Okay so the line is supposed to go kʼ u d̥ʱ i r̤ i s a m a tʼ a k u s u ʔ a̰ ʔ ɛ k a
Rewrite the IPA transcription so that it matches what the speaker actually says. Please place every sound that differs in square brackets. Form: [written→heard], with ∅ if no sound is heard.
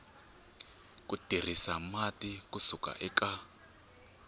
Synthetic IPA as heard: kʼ u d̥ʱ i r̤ i s a m a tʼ [a→i] k u s u [ʔ→k] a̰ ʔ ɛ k a